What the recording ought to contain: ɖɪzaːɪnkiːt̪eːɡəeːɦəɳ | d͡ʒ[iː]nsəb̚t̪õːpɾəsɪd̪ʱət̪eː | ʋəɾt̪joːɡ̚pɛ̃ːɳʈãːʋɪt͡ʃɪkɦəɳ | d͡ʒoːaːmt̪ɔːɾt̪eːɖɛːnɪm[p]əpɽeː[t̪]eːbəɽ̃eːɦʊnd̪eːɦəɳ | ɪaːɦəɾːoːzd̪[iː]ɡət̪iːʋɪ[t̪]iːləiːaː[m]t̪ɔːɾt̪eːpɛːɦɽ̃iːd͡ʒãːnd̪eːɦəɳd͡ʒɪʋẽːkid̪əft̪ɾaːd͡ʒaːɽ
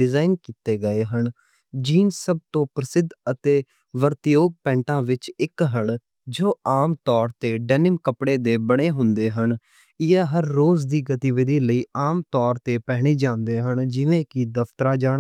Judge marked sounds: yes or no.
yes, no, no, yes, no, yes

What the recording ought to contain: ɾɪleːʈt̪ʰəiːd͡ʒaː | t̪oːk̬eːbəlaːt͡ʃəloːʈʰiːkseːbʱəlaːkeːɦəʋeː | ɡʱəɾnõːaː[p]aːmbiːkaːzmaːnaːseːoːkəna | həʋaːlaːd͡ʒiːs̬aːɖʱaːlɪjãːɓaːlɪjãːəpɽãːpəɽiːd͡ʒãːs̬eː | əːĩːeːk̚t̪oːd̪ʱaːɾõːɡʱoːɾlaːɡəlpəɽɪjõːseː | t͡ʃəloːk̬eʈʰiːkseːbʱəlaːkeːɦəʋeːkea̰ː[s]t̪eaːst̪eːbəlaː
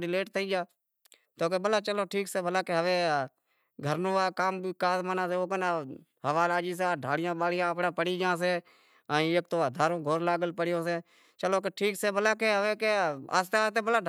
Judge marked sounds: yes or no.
no, yes

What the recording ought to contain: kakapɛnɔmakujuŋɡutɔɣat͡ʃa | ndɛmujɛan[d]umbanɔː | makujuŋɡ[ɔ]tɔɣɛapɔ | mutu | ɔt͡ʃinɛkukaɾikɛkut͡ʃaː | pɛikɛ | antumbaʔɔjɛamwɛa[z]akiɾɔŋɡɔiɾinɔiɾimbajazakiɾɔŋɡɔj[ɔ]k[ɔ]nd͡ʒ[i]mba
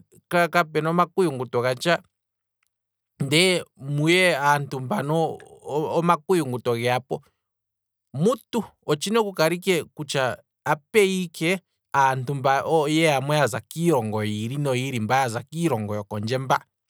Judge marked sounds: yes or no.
no, no, yes, yes, yes, no

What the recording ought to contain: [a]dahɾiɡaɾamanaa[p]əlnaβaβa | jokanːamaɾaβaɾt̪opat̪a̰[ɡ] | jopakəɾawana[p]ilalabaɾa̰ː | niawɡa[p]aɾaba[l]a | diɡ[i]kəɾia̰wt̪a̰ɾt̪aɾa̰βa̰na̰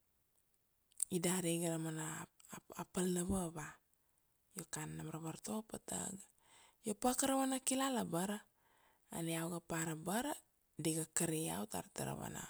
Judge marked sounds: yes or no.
no, yes, yes, no, yes, no, no

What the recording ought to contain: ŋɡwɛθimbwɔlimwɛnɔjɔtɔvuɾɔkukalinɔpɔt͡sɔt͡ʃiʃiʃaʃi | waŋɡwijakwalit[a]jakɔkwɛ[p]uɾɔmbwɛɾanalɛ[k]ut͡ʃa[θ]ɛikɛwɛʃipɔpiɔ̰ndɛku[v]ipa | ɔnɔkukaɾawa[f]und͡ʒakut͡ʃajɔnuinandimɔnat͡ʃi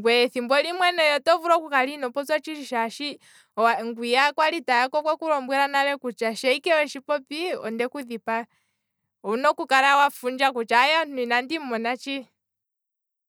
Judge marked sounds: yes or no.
yes, no, yes, no, no, yes

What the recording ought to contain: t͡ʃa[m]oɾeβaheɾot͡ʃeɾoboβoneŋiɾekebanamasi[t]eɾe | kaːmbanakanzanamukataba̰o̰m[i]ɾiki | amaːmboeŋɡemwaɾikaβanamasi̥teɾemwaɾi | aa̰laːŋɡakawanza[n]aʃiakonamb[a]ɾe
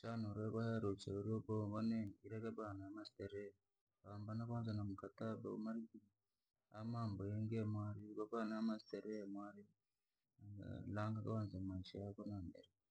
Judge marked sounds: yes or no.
no, yes, no, no, no

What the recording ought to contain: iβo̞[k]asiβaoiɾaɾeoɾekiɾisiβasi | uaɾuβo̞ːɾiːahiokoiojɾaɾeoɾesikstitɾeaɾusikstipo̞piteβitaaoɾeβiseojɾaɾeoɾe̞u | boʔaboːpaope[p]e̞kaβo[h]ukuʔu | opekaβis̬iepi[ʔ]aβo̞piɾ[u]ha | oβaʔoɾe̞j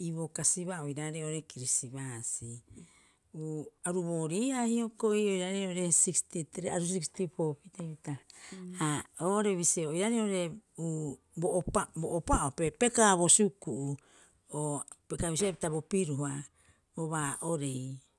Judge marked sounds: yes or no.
yes, yes, no, no, yes

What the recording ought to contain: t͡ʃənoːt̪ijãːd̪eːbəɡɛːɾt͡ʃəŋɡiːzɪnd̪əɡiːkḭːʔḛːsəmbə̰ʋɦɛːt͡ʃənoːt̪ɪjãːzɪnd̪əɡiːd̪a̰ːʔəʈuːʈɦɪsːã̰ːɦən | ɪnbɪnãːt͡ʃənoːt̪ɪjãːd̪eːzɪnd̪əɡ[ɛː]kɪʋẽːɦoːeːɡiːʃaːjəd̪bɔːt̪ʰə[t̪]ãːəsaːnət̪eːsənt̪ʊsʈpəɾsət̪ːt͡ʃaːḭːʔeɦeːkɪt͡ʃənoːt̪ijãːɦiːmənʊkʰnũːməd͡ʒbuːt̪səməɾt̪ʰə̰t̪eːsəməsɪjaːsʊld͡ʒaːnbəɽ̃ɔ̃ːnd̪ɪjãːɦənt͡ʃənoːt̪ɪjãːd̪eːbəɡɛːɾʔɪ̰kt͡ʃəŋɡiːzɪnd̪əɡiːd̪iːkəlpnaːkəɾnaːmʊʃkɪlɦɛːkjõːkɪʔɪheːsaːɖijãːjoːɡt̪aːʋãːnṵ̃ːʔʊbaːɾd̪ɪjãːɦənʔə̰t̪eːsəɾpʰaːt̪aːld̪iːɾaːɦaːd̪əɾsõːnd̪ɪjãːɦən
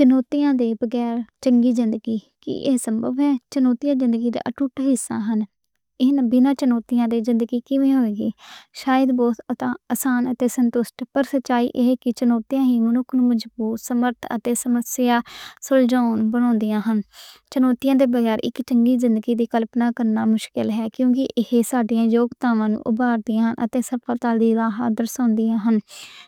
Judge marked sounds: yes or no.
no, yes

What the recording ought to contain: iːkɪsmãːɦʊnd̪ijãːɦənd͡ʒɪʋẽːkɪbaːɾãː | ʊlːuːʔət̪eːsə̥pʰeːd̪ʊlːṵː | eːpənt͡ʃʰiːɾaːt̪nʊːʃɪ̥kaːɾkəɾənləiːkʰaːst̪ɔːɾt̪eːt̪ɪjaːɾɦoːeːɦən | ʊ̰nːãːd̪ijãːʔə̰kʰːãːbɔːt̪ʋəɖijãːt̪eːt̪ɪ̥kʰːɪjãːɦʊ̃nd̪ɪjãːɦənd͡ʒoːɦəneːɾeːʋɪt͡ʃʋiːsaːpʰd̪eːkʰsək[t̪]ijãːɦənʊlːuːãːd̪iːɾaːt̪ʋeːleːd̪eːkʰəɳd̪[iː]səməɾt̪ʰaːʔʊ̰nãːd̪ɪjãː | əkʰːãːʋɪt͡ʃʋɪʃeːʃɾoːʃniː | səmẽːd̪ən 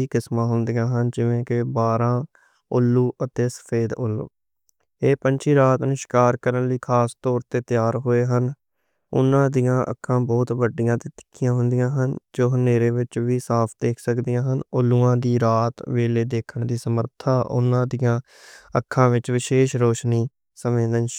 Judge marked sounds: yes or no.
no, yes

